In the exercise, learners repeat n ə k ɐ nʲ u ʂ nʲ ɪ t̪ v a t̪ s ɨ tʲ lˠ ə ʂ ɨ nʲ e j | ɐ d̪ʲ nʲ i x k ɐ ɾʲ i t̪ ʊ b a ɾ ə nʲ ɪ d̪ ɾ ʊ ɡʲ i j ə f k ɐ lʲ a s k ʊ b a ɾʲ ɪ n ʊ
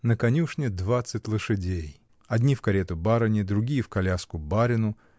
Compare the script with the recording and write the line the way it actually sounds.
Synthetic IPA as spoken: n ə k ɐ nʲ u ʂ nʲ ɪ d̪ v a t̪ s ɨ tʲ lˠ ə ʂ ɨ dʲ e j | ɐ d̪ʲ nʲ i f k ɐ ɾʲ e t̪ ʊ b a ɾ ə nʲ ɪ d̪ ɾ ʊ ɡʲ i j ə f k ɐ lʲ a s k ʊ b a ɾʲ ɪ n ʊ